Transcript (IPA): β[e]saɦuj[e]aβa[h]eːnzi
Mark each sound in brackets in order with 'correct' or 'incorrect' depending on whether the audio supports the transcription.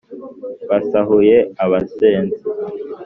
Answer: incorrect: a, correct, incorrect: s

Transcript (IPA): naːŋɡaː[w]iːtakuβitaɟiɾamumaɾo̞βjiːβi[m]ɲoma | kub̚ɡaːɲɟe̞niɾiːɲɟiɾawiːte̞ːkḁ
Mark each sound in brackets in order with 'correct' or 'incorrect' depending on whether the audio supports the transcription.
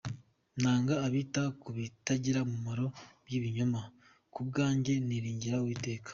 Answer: incorrect: β, incorrect: none

